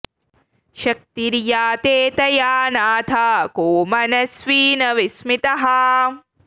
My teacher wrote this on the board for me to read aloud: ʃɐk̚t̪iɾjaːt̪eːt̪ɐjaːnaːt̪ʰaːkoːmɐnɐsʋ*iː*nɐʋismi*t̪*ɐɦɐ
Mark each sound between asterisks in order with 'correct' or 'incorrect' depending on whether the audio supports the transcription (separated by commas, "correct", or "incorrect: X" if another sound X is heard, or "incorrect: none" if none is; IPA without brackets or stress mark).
correct, correct